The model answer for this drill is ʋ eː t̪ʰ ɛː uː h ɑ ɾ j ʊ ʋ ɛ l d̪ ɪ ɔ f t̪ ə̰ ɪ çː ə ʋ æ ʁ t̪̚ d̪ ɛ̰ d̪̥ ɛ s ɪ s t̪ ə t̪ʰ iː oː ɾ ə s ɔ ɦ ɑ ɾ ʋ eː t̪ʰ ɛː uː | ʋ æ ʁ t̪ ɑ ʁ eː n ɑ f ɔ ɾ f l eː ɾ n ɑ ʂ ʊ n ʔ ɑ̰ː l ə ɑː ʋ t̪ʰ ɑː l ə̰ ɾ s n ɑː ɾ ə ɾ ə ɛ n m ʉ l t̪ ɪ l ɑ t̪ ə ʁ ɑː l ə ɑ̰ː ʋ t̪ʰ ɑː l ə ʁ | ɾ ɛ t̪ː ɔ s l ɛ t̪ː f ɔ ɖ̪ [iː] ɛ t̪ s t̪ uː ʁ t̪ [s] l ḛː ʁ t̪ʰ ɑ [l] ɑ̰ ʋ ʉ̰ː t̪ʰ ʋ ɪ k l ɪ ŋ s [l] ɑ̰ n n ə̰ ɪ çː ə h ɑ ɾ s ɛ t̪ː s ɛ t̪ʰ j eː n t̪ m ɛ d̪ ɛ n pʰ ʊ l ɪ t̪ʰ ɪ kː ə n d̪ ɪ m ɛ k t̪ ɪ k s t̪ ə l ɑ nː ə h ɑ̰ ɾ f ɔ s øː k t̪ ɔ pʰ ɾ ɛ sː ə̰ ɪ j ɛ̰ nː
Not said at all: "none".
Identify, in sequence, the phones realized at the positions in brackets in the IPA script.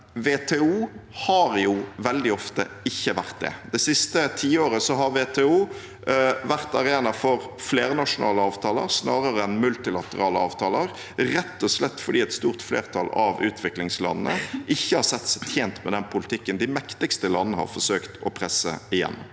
iː, f, l, l

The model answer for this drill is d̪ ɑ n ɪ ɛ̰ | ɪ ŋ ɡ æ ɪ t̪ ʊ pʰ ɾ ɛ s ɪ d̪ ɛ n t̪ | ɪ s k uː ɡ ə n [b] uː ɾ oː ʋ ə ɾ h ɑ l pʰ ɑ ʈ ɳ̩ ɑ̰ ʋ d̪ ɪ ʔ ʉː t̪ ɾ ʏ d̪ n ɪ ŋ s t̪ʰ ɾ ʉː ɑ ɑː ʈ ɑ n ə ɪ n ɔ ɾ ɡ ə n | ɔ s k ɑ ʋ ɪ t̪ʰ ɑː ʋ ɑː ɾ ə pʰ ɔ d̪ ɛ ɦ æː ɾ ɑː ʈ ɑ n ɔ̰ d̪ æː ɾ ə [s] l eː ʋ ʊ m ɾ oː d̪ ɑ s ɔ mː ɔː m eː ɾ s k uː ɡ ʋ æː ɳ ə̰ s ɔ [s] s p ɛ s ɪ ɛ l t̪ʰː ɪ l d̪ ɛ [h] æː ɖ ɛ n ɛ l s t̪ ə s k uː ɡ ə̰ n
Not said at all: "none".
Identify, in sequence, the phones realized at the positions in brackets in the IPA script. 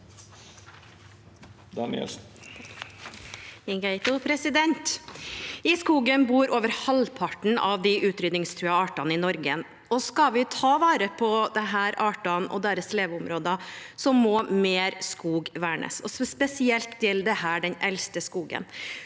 b, s, s, h

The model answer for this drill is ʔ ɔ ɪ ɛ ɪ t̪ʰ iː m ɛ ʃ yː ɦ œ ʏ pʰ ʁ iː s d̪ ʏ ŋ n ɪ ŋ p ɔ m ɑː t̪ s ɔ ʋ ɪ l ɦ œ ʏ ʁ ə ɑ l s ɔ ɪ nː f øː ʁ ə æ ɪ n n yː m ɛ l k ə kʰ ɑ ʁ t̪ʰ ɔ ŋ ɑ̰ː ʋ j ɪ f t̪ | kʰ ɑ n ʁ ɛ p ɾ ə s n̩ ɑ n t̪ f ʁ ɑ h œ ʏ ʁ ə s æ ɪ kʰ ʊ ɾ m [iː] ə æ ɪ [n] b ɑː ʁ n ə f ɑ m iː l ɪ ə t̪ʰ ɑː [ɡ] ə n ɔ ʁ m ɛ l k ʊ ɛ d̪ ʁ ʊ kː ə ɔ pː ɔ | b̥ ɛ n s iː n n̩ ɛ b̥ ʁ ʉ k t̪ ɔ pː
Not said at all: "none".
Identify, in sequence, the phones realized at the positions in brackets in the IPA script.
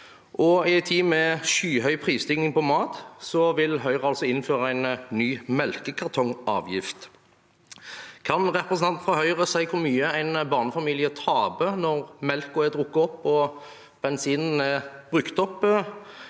yː, n, b

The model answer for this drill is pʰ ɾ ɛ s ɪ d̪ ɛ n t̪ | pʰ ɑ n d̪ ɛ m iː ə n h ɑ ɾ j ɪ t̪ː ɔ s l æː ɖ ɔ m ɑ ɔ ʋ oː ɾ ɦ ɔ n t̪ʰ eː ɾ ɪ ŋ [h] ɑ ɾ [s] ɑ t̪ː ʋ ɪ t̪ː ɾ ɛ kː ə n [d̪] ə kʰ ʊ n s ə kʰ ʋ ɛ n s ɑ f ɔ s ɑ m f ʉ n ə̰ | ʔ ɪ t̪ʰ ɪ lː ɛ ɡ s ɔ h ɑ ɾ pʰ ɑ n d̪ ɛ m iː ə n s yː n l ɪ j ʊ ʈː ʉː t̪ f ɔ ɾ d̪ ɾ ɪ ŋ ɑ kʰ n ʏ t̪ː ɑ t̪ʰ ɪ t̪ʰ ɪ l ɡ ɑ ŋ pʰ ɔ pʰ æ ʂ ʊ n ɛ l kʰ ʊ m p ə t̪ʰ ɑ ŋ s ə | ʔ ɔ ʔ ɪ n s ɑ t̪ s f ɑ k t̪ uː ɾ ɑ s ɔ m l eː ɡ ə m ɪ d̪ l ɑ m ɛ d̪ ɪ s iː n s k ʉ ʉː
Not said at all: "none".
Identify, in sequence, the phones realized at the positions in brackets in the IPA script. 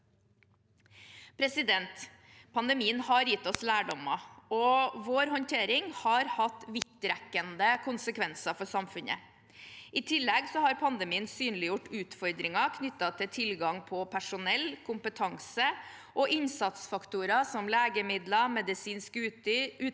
h, h, d̪

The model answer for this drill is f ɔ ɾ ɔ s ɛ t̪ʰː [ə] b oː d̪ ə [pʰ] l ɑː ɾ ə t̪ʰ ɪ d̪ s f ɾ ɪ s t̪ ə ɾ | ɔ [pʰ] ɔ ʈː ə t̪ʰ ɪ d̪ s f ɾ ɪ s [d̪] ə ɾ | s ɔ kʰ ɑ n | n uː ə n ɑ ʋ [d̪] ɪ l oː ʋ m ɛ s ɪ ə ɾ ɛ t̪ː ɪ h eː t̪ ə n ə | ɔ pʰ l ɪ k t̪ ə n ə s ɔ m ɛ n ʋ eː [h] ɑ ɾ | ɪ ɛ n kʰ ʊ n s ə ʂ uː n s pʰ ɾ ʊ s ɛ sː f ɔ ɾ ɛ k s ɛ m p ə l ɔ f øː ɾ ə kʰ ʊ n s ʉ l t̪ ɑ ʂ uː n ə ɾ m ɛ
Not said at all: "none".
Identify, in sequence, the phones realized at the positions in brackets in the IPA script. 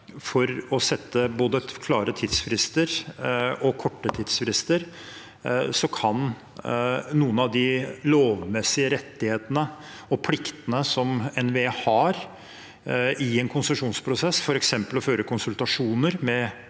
ə, kʰ, kʰ, t̪, d̪, h

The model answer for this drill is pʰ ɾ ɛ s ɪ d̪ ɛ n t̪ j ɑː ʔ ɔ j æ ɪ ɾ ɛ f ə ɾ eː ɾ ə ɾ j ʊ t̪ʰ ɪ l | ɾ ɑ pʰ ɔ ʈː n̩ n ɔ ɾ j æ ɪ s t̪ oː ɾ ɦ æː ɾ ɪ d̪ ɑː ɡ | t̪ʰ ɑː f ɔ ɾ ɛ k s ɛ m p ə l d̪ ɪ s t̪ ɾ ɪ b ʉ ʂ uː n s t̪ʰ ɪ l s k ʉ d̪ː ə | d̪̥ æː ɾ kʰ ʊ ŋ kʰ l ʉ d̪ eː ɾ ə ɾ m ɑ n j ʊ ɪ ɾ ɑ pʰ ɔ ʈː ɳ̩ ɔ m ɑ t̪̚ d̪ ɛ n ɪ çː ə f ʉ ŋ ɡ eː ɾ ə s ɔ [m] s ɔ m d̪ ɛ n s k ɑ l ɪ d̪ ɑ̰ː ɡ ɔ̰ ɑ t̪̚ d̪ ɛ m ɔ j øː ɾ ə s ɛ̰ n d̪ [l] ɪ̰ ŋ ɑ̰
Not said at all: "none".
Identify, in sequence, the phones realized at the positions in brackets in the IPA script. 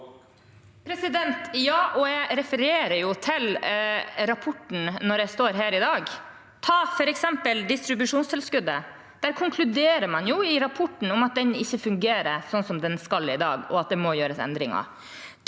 n, ɾ

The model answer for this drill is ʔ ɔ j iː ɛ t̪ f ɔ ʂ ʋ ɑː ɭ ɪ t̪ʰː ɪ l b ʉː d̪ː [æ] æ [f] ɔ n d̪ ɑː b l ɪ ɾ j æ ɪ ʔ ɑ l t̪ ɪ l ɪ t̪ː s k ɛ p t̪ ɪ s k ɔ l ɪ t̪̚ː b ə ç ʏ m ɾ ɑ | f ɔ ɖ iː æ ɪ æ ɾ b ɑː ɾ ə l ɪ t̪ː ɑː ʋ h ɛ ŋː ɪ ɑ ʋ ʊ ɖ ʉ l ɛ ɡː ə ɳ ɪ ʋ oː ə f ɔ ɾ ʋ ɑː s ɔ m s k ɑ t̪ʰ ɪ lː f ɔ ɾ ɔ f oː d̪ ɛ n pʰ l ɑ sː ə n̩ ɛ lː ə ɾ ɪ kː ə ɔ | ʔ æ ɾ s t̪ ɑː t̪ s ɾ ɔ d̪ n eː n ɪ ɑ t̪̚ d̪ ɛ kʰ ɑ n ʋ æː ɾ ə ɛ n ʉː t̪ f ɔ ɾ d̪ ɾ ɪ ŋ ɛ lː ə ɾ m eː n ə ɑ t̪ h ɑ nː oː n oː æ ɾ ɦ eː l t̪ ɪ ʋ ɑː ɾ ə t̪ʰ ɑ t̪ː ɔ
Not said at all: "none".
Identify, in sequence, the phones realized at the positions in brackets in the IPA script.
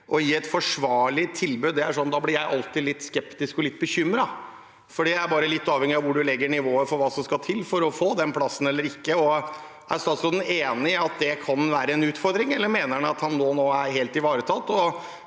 ɛ, ʂ

